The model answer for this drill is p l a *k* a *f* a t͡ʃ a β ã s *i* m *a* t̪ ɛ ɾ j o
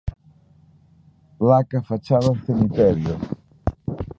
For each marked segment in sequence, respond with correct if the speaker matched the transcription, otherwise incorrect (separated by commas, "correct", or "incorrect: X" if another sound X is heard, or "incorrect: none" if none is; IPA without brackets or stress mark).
correct, correct, incorrect: e, incorrect: i